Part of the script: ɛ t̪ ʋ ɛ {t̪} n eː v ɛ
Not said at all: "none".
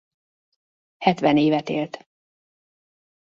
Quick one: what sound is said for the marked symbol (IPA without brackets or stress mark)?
none